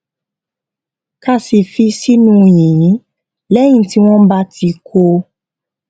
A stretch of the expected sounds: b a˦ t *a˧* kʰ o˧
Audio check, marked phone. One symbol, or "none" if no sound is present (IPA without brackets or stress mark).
i˧